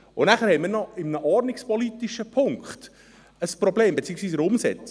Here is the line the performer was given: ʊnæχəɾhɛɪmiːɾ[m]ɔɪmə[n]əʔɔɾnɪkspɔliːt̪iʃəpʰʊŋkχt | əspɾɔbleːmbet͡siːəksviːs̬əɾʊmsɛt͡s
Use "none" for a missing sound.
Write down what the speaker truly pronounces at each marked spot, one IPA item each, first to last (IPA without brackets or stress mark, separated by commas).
n, n